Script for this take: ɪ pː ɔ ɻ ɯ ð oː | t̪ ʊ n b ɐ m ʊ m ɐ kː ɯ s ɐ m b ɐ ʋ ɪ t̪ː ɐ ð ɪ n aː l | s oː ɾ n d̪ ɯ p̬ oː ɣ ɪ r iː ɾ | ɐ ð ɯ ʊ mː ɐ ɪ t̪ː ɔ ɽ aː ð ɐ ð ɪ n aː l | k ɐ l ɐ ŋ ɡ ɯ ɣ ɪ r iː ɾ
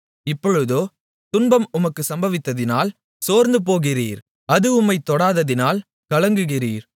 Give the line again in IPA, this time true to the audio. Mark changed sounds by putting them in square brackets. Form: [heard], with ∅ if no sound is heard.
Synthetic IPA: ɪ pː ɔ ɻ ɯ ð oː | t̪ ʊ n b ɐ m ʊ m ɐ kː ɯ s ɐ m b ɐ ʋ ɪ t̪ː ɐ ð ɪ n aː l | s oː ɾ n d̪ ɯ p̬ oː ɣ ɪ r iː ɾ | ɐ ð ɯ ʊ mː ɐ ɪ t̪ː ɔ ɽ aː ð ɐ ð ɪ n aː l | k ɐ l ɐ ŋ ɡ ɯ ɣ ɪ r iː ɾ

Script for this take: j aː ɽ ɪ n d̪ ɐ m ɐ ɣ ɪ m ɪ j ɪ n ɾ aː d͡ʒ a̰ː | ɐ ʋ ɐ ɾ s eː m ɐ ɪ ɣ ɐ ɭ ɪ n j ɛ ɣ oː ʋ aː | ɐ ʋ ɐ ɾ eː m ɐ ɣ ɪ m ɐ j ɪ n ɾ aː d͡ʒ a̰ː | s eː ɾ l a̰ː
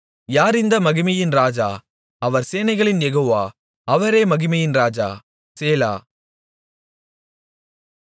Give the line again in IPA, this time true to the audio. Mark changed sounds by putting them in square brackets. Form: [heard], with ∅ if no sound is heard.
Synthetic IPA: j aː [ɾ] ɪ n d̪ ɐ m ɐ ɣ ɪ m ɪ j ɪ n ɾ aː d͡ʒ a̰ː | ɐ ʋ ɐ ɾ s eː [n] ɐ ɪ ɣ ɐ ɭ ɪ n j ɛ ɣ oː ʋ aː | ɐ ʋ ɐ ɾ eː m ɐ ɣ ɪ m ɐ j ɪ n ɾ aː d͡ʒ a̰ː | s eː [∅] l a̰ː

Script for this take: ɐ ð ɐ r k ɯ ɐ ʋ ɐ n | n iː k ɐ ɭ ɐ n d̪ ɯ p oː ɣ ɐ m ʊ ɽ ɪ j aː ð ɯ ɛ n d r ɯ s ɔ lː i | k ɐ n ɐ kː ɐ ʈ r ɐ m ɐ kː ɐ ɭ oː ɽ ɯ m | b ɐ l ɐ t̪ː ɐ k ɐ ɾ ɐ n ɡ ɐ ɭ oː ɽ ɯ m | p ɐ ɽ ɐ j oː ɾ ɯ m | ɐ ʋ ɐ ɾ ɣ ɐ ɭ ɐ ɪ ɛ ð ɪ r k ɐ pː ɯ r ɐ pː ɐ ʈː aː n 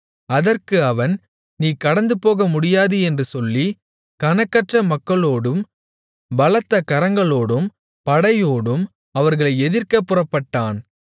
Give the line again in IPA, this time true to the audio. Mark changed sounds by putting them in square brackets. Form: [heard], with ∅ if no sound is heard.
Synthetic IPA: ɐ ð ɐ r k ɯ ɐ ʋ ɐ n | n iː k ɐ [ɽ] ɐ n d̪ ɯ p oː ɣ ɐ m ʊ ɽ ɪ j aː ð ɯ ɛ n d r ɯ s ɔ lː i | k ɐ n ɐ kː ɐ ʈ r ɐ m ɐ kː ɐ ɭ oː ɽ ɯ m | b ɐ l ɐ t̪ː ɐ k ɐ ɾ ɐ [ŋ] ɡ ɐ ɭ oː ɽ ɯ m | p ɐ ɽ ɐ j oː [ɽ] ɯ m | ɐ ʋ ɐ ɾ ɣ ɐ ɭ ɐ ɪ ɛ ð ɪ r k ɐ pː ɯ r ɐ pː ɐ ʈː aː n

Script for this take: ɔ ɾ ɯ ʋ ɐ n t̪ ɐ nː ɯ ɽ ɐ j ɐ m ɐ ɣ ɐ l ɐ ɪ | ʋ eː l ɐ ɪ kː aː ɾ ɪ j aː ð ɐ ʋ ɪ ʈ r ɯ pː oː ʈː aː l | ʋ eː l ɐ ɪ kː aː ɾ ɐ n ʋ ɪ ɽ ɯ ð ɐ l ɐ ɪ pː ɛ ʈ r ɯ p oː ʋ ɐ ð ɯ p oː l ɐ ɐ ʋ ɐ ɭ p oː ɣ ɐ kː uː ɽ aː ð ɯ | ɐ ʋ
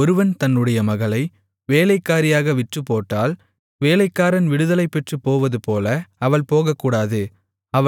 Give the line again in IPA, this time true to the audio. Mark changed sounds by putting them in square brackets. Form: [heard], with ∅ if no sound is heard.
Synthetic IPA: ɔ ɾ ɯ ʋ ɐ n t̪ ɐ nː ɯ ɽ ɐ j ɐ m ɐ ɣ ɐ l ɐ ɪ | ʋ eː l ɐ ɪ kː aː ɾ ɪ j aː [ɣ] ɐ ʋ ɪ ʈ r ɯ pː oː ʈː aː l | ʋ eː l ɐ ɪ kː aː ɾ ɐ n ʋ ɪ ɽ ɯ ð ɐ l ɐ ɪ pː ɛ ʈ r ɯ p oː ʋ ɐ ð ɯ p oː l ɐ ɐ ʋ ɐ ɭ p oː ɣ ɐ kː uː ɽ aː ð ɯ | ɐ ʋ

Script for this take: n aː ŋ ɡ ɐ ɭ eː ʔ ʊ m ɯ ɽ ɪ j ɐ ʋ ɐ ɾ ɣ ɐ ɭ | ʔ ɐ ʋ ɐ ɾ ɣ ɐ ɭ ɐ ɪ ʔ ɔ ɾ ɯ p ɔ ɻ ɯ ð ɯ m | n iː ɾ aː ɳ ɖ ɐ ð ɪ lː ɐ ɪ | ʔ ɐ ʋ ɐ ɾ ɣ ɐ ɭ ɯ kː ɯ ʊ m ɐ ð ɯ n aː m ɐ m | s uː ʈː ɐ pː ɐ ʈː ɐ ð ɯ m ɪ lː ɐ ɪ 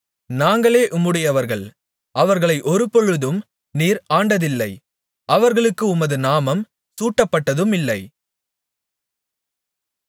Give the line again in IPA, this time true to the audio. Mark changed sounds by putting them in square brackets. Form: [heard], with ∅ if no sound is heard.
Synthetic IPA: n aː ŋ ɡ ɐ ɭ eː ʔ ʊ m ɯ ɽ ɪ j ɐ ʋ ɐ ɾ ɣ ɐ ɭ | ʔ ɐ ʋ ɐ ɾ ɣ ɐ ɭ ɐ ɪ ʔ ɔ ɾ ɯ p ɔ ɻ ɯ ð ɯ m | n iː ɾ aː ɳ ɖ ɐ ð ɪ lː ɐ ɪ | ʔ ɐ ʋ ɐ ɾ ɣ ɐ ɭ ɯ kː ɯ ʊ m ɐ ð ɯ n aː m ɐ m | s uː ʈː ɐ pː ɐ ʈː ɐ ð ɯ m ɪ lː ɐ ɪ

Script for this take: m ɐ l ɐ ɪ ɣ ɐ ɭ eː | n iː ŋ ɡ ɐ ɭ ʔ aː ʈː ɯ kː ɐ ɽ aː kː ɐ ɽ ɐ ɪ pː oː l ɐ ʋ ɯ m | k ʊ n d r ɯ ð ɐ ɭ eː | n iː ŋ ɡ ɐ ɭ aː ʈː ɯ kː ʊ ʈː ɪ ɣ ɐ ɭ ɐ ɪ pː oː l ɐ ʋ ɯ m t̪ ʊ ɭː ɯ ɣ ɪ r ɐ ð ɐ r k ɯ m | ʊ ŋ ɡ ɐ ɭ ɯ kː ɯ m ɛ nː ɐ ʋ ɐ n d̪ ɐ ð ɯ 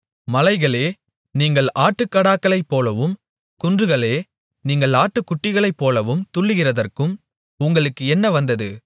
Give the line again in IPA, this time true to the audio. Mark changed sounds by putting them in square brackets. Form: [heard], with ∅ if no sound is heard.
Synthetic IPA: m ɐ l ɐ ɪ ɣ ɐ ɭ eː | n iː ŋ ɡ ɐ ɭ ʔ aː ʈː ɯ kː ɐ ɽ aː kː ɐ [ɭ] ɐ ɪ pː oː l ɐ ʋ ɯ m | k ʊ n d r ɯ [ɣ] ɐ ɭ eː | n iː ŋ ɡ ɐ ɭ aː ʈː ɯ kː ʊ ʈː ɪ ɣ ɐ ɭ ɐ ɪ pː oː l ɐ ʋ ɯ m t̪ ʊ ɭː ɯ ɣ ɪ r ɐ ð ɐ r k ɯ m | ʊ ŋ ɡ ɐ ɭ ɯ kː ɯ [∅] ɛ nː ɐ ʋ ɐ n d̪ ɐ ð ɯ

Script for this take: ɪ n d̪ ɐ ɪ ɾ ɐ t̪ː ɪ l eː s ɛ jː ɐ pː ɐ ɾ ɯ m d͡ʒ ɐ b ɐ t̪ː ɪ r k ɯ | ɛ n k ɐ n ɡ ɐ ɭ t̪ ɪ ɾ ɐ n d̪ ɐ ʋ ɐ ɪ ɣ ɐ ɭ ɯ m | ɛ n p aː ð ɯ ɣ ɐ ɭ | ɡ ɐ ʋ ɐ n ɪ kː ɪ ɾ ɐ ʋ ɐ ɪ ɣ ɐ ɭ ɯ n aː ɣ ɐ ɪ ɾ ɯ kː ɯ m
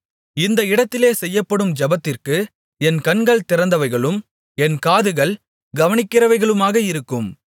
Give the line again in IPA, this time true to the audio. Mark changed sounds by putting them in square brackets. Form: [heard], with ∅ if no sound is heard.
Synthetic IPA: ɪ n d̪ ɐ ɪ [ɽ] ɐ t̪ː ɪ l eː s ɛ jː ɐ pː ɐ [ɽ] ɯ m d͡ʒ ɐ b ɐ t̪ː ɪ r k ɯ | ɛ n k ɐ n ɡ ɐ ɭ t̪ ɪ ɾ ɐ n d̪ ɐ ʋ ɐ ɪ ɣ ɐ ɭ ɯ m | ɛ n [k] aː ð ɯ ɣ ɐ ɭ | ɡ ɐ ʋ ɐ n ɪ kː ɪ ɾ ɐ ʋ ɐ ɪ ɣ ɐ ɭ ɯ [m] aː ɣ ɐ ɪ ɾ ɯ kː ɯ m

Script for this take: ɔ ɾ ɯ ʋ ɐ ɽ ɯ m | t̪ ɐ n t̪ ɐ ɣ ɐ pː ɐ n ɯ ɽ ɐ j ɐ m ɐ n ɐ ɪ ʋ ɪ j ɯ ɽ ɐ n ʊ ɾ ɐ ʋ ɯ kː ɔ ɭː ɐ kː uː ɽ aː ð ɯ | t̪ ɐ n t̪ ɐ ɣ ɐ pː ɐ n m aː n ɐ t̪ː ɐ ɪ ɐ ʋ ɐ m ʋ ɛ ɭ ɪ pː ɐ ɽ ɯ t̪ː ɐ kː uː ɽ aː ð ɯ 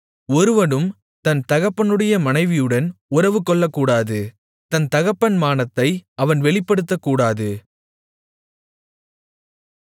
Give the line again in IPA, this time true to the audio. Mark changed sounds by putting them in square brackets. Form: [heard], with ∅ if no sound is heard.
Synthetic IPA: ɔ ɾ ɯ ʋ ɐ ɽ ɯ m | t̪ ɐ n t̪ ɐ ɣ ɐ pː ɐ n ɯ ɽ ɐ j ɐ m ɐ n ɐ ɪ ʋ ɪ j ɯ ɽ ɐ n ʊ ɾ ɐ ʋ ɯ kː ɔ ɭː ɐ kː uː ɽ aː ð ɯ | t̪ ɐ n t̪ ɐ ɣ ɐ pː ɐ n m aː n ɐ t̪ː ɐ ɪ ɐ ʋ ɐ [n] ʋ ɛ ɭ ɪ pː ɐ ɽ ɯ t̪ː ɐ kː uː ɽ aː ð ɯ

